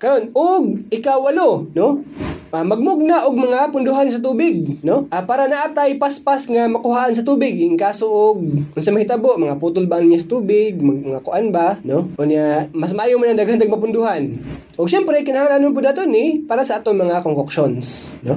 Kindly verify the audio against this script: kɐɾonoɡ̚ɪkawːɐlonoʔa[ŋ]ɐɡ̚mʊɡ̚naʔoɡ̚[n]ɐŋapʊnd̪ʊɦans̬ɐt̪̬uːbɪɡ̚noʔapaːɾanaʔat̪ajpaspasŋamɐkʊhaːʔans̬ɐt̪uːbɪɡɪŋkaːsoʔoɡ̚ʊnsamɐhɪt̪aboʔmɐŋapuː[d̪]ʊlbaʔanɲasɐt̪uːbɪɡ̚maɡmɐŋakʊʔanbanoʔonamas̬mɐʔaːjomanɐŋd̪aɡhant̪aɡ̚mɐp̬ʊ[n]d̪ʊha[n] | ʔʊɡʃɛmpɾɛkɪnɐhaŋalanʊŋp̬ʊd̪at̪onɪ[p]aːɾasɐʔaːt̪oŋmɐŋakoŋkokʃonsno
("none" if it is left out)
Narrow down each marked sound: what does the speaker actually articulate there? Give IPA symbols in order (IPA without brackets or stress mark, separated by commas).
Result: m, m, t̪, n, n, p